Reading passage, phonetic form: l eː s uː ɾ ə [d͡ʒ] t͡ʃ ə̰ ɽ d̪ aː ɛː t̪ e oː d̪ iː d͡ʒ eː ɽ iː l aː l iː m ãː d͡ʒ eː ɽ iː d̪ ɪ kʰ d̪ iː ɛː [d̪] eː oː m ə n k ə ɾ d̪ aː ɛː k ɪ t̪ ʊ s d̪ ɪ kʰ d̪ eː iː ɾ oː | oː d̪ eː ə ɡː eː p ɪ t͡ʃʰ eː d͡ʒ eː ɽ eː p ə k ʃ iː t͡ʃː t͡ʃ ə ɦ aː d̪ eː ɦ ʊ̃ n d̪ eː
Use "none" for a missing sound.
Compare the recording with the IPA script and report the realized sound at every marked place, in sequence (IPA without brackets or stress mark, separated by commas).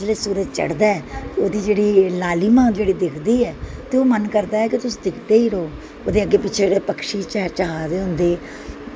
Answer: d͡ʒ, t̪